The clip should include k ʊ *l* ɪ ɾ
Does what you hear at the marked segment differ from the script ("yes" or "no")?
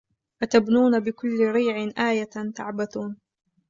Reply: yes